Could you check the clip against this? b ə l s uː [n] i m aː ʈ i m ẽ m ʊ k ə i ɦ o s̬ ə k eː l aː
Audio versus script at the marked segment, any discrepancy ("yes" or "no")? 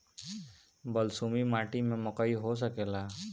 yes